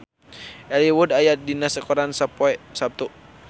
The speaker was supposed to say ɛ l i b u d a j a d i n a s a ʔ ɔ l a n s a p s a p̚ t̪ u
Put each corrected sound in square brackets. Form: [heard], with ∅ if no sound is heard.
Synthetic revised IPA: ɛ l i [w] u d a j a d i n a s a [k] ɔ [ɾ] a n s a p s a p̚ t̪ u